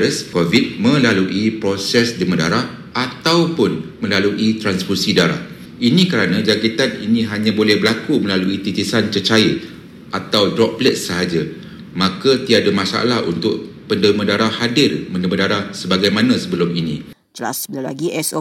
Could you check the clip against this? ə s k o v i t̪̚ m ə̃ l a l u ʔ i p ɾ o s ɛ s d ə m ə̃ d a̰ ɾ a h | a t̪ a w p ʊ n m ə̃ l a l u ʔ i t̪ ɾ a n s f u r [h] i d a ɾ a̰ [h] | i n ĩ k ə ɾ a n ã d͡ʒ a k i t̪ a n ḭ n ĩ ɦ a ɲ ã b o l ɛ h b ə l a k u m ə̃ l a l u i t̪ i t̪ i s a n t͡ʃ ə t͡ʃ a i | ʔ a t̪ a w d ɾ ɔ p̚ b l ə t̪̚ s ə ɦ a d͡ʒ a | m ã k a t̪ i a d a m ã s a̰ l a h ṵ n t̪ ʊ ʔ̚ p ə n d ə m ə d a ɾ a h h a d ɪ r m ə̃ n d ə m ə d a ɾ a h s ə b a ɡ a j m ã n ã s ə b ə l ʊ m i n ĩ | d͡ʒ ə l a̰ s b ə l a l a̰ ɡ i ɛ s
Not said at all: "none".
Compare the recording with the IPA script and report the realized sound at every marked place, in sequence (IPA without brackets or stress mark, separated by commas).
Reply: s, h